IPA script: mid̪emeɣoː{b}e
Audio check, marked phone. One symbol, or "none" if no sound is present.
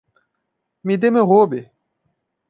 b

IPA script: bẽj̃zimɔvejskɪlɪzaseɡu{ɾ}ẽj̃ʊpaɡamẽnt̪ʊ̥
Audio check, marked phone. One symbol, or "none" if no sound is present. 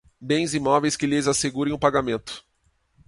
ɾ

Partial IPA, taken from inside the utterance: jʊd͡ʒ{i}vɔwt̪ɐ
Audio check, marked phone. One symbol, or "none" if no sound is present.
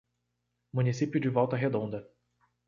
ɪ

